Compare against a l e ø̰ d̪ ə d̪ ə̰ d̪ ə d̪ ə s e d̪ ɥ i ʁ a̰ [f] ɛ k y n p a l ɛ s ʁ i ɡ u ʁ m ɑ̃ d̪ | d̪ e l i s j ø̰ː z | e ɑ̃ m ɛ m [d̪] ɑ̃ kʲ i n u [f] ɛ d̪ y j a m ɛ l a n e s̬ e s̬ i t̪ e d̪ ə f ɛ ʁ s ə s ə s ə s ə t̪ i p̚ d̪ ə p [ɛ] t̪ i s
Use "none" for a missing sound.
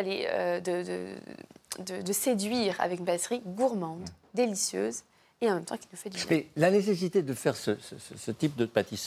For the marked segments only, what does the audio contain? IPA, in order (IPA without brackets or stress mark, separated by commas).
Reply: v, t̪, f, a